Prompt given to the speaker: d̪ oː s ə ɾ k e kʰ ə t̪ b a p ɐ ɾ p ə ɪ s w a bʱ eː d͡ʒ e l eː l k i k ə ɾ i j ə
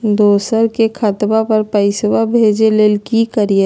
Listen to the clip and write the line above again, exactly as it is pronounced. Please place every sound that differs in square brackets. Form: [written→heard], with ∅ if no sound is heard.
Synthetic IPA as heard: d̪ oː s ə ɾ k e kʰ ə t̪ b a p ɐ ɾ p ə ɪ s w a bʱ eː d͡ʒ e l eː l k i k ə ɾ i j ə